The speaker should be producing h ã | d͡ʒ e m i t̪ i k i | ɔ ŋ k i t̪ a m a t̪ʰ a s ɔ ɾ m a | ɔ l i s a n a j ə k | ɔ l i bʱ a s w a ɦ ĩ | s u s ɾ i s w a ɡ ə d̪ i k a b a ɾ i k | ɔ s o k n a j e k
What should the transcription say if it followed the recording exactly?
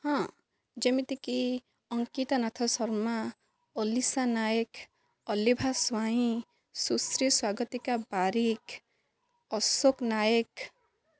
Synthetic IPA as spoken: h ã | d͡ʒ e m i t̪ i k i | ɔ ŋ k i t̪ a n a t̪ʰ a s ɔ ɾ m a | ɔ l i s a n a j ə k | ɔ l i bʱ a s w a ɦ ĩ | s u s ɾ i s w a ɡ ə t̪ i k a b a ɾ i k | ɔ s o k n a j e k